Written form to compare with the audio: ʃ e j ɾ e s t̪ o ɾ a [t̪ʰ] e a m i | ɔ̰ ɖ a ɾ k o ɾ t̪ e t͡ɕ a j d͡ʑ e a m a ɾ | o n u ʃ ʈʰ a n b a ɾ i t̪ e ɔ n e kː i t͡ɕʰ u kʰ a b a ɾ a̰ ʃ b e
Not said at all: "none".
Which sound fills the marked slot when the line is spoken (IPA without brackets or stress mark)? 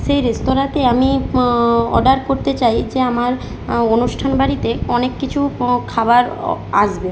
t̪